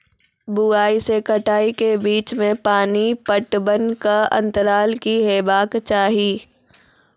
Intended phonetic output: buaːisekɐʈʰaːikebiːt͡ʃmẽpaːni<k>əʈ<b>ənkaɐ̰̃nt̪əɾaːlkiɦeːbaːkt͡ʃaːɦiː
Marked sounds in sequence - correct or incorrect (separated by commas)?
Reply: incorrect, correct